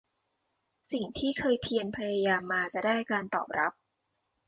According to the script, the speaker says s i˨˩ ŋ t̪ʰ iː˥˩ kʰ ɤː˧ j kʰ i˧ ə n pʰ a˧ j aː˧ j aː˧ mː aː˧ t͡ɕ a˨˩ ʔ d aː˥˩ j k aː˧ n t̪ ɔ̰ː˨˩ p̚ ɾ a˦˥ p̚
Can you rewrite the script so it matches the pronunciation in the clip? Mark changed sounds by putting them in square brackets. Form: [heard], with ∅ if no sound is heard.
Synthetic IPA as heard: s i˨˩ ŋ t̪ʰ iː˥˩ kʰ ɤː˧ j [pʰ] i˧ ə n pʰ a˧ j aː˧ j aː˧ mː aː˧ t͡ɕ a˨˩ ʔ d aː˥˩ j k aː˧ n t̪ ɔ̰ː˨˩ p̚ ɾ a˦˥ p̚